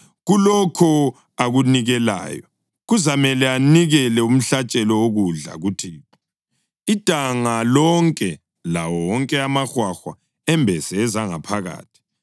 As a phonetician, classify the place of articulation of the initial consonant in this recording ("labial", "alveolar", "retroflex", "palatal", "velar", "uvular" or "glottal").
velar